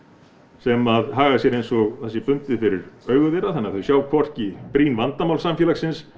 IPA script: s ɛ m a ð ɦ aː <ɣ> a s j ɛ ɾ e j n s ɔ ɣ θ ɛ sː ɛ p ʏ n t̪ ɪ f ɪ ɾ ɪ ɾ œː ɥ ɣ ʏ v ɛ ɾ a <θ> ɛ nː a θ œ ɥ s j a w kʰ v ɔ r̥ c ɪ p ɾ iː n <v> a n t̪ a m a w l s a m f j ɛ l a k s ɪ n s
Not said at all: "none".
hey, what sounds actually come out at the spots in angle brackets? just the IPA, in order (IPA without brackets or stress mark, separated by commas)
ɣ, θ, v